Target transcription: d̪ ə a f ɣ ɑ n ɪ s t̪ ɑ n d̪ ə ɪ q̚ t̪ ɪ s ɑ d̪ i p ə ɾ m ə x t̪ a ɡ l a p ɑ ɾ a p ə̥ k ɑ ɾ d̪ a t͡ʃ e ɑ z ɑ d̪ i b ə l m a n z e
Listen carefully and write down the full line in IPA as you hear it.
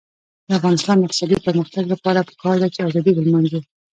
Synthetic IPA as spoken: d̪ ə a f ɣ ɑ n ɪ s t̪ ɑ n d̪ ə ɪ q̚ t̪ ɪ s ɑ d̪ i p ə ɾ m ə x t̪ a ɡ l a p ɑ ɾ a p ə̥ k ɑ ɾ d̪ a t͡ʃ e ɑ z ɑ d̪ i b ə l m a n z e